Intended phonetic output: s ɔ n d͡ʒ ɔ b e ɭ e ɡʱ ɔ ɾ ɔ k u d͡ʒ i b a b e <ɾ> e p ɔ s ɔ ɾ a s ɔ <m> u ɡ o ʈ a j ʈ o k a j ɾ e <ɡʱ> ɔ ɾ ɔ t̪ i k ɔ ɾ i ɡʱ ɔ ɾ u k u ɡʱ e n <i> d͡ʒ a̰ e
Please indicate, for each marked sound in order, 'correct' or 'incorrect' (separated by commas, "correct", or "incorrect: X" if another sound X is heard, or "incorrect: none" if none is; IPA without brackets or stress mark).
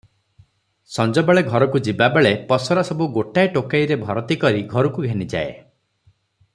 incorrect: ɭ, incorrect: b, incorrect: bʱ, correct